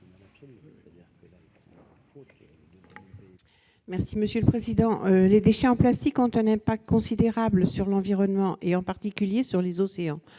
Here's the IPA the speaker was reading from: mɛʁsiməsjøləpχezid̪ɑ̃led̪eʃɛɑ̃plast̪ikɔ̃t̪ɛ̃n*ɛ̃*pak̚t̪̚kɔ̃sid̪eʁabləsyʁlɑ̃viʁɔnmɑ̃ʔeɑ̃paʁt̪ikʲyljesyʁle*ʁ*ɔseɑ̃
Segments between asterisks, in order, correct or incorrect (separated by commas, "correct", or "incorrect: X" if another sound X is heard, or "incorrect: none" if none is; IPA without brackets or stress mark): correct, incorrect: z